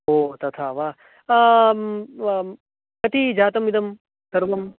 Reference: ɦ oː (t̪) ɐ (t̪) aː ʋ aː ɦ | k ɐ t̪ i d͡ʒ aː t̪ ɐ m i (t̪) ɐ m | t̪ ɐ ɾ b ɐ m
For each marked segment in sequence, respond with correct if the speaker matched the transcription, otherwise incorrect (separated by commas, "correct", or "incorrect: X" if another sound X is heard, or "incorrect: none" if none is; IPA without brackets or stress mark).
correct, incorrect: t̪ʰ, incorrect: d̪